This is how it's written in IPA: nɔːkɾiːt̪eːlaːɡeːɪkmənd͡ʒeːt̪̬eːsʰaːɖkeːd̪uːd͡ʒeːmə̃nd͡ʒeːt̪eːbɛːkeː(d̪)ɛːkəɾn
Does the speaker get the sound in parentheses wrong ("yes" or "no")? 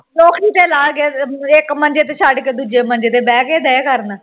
no